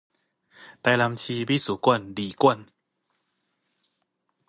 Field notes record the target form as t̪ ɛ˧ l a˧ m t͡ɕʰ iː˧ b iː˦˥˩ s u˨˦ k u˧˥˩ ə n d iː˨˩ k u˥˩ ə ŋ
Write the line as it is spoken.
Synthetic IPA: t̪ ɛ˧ l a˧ m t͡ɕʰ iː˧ b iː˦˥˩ s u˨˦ k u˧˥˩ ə n d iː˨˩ k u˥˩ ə n